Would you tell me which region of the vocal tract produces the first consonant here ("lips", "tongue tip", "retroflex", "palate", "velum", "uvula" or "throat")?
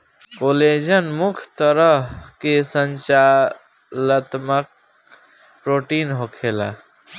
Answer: velum